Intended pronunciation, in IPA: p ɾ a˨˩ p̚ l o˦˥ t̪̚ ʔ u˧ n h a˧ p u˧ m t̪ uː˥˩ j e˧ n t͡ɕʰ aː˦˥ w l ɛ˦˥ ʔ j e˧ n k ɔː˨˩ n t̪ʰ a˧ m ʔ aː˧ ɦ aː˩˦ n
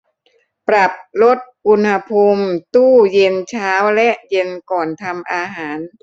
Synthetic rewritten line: p ɾ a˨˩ p̚ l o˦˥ t̪̚ ʔ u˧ n h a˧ pʰ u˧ m t̪ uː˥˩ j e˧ n t͡ɕʰ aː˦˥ w l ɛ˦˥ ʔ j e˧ n k ɔː˨˩ n t̪ʰ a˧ m ʔ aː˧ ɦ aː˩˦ n